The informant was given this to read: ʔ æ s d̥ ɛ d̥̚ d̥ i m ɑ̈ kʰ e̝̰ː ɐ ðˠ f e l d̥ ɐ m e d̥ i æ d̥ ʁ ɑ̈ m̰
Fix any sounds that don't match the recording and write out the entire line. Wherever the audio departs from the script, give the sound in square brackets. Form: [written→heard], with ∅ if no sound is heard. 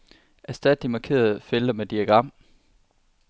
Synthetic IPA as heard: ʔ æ s d̥ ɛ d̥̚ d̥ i m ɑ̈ kʰ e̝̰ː ɐ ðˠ f e l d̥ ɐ m e d̥ i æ [d̥→ɡ̥] ʁ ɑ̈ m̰